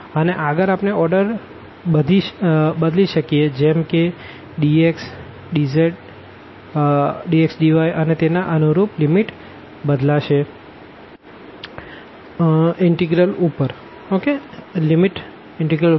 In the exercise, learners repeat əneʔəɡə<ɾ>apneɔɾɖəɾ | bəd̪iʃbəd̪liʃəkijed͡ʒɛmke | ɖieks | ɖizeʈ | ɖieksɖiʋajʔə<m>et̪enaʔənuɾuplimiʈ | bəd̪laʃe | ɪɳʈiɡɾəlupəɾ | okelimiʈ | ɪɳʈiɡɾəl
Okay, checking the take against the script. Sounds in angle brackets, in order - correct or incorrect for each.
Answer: correct, incorrect: n

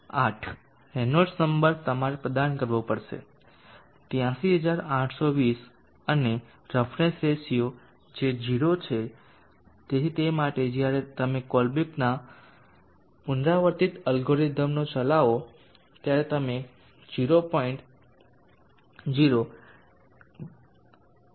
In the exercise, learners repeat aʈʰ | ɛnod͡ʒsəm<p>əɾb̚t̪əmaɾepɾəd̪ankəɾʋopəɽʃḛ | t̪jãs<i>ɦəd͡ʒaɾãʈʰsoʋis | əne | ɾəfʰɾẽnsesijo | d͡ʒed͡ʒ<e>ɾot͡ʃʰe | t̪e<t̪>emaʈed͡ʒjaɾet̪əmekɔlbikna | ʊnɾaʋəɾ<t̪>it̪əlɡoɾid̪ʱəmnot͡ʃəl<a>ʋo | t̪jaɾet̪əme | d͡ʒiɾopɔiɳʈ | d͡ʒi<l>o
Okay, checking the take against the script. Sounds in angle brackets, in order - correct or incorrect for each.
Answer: incorrect: b, correct, incorrect: i, correct, correct, correct, incorrect: ɾ

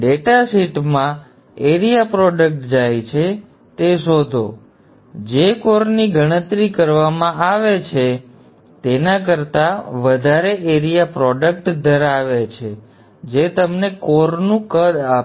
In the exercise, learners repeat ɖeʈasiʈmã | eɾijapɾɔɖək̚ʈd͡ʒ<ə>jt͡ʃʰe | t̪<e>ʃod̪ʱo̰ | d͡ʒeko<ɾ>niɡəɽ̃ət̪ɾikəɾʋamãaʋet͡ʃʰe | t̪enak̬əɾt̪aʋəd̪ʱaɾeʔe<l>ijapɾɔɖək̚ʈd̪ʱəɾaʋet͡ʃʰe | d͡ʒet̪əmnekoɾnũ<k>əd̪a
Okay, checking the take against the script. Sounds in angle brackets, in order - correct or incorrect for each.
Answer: incorrect: a, correct, correct, incorrect: ɾ, correct

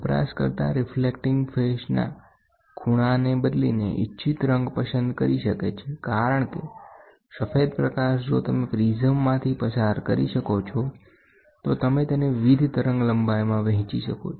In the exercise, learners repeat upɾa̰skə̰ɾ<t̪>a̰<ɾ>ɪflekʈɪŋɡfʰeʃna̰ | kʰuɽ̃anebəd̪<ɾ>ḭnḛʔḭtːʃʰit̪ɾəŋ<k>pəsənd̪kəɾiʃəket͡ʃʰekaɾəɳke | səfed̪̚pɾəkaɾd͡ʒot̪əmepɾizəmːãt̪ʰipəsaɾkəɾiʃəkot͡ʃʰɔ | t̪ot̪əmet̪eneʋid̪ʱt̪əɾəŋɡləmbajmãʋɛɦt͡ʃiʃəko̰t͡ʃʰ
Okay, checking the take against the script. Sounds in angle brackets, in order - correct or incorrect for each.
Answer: correct, correct, incorrect: l, incorrect: ɡ

